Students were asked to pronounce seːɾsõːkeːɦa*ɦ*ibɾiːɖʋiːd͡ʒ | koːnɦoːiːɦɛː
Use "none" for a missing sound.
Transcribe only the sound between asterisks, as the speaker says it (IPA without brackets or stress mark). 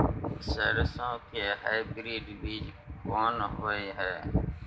none